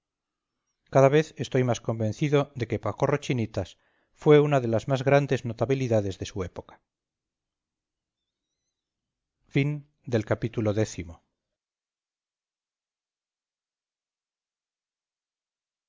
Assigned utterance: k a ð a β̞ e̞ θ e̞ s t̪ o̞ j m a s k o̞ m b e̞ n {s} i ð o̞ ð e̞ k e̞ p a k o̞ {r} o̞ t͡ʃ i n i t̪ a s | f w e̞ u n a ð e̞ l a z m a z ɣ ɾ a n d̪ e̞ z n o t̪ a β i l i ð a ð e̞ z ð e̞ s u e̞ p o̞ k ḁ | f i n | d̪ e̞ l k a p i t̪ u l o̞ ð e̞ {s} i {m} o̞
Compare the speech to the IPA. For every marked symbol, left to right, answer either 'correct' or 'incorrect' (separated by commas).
incorrect, correct, incorrect, correct